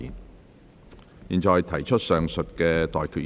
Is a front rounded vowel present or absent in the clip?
present